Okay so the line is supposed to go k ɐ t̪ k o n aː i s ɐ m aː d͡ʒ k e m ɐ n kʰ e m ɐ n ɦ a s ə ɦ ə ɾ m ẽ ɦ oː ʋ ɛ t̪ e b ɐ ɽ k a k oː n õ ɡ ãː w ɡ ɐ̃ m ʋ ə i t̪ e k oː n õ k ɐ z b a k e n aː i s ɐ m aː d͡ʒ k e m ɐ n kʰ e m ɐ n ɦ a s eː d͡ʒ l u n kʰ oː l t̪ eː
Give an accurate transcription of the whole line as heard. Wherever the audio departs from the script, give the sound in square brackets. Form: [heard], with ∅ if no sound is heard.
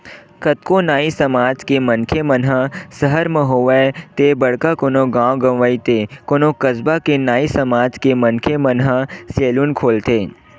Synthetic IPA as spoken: k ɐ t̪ k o n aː i s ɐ m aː d͡ʒ k e m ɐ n kʰ e m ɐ n ɦ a s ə ɦ ə ɾ m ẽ ɦ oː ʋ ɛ t̪ e b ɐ ɽ k a k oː n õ ɡ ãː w ɡ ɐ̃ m ʋ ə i t̪ e k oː n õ k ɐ z b a k e n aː i s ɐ m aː d͡ʒ k e m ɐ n kʰ e m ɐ n ɦ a s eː [∅] l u n kʰ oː l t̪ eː

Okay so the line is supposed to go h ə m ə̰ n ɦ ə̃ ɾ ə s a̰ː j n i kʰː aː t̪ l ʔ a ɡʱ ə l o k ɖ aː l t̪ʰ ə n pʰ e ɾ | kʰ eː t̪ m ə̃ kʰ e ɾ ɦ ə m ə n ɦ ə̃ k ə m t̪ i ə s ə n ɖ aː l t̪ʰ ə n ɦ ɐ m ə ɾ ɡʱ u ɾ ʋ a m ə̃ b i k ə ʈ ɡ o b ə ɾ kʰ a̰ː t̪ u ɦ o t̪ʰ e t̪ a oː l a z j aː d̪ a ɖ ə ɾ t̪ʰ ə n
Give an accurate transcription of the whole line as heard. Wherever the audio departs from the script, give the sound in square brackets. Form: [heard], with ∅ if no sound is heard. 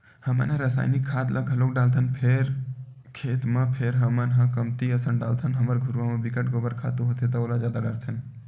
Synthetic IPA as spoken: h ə m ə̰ n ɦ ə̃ ɾ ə s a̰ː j n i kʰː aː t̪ l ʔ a ɡʱ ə l o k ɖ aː l t̪ʰ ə n pʰ e ɾ | kʰ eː t̪ m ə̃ [pʰ] e ɾ ɦ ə m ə n ɦ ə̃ k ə m t̪ i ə s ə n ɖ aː l t̪ʰ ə n ɦ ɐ m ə ɾ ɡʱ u ɾ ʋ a m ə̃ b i k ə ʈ ɡ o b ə ɾ kʰ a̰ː t̪ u ɦ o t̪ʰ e t̪ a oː l a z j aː d̪ a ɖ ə ɾ t̪ʰ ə n

